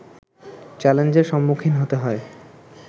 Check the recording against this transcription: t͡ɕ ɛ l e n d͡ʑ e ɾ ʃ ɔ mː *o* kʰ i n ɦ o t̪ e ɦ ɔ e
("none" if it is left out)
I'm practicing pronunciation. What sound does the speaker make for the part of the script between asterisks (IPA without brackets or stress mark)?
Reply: u